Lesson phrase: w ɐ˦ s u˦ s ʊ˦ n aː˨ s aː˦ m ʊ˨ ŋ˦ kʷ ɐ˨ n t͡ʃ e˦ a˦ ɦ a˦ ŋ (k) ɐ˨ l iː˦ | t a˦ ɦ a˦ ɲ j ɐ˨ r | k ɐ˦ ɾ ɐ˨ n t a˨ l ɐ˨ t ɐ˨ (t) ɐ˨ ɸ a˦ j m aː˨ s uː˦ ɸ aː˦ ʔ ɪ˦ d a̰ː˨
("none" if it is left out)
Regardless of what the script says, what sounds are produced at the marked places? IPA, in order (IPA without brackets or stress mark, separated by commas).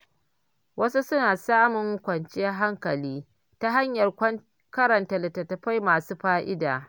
k, t